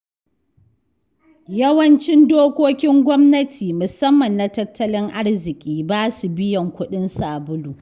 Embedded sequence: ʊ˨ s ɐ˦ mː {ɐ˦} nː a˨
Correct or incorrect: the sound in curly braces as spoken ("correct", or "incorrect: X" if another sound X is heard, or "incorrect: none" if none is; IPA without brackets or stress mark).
incorrect: ɐ˨